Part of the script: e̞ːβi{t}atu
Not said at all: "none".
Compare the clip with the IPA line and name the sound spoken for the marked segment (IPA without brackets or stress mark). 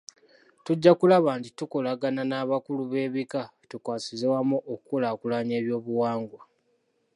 k